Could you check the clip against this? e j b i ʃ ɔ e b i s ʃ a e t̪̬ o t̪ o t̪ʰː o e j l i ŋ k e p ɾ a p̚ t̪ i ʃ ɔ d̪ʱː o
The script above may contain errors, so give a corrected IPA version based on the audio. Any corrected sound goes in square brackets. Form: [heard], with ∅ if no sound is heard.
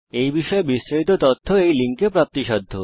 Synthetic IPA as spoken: e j b i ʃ ɔ e b i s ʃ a [i] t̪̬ o t̪ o t̪ʰː o e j l i ŋ k e p ɾ a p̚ t̪ i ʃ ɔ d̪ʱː o